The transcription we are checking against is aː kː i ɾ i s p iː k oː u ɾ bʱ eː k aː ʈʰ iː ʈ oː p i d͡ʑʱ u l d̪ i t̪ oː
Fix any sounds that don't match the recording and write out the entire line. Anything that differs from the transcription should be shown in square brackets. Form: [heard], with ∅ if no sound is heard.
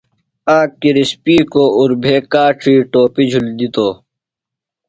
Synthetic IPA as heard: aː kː i ɾ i s p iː k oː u ɾ bʱ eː k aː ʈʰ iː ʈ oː p i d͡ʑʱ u l d̪ i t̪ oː